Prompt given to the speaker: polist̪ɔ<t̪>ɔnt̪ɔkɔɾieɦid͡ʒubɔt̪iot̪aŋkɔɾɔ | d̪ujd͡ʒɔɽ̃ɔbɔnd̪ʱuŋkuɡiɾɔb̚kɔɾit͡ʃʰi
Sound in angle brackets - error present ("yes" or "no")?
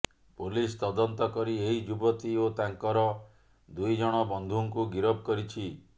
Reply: yes